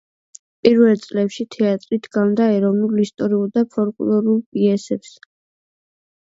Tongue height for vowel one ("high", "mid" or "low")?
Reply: high